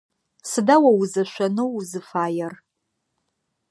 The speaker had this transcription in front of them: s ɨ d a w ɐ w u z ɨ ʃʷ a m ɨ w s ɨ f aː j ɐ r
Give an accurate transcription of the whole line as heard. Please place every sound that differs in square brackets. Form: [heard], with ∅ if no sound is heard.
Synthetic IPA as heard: s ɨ d a w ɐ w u z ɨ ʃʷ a [n] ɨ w [z] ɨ f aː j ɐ r